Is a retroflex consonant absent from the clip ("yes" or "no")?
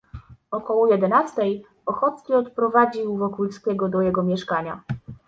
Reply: no